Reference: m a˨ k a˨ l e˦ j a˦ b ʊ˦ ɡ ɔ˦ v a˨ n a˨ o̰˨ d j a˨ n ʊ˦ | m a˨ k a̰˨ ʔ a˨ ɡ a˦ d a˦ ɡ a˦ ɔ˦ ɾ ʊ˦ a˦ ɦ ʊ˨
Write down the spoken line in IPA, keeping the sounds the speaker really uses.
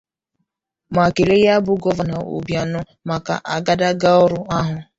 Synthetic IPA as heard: m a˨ k e˨ l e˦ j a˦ b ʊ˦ ɡ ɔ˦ v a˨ n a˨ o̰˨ b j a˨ n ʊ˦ | m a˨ k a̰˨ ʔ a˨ ɡ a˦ d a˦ ɡ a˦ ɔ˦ ɾ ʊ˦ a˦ ɦ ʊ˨